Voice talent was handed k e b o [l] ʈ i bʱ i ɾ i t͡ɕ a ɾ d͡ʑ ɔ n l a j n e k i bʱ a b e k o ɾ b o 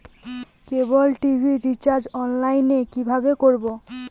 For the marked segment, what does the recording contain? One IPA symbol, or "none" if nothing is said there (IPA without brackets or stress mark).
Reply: l